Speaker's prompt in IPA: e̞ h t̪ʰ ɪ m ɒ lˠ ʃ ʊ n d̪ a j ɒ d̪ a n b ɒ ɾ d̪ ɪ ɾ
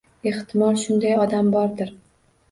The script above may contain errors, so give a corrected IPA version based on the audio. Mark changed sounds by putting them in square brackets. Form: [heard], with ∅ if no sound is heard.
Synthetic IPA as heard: e̞ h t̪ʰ ɪ m ɒ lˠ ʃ ʊ n d̪ a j ɒ d̪ a [m] b ɒ ɾ d̪ ɪ ɾ